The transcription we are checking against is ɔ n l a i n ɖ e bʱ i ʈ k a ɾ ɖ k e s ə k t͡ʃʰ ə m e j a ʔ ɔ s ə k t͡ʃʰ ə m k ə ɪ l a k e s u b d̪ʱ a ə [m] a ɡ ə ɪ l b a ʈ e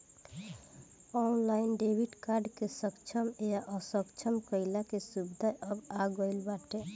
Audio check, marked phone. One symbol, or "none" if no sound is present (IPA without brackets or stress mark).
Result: b